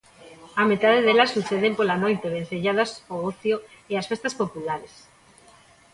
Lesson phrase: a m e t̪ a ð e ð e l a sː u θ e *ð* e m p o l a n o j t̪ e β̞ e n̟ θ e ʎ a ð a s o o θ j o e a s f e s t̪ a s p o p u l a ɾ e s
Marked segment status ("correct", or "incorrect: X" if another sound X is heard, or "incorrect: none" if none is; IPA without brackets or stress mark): correct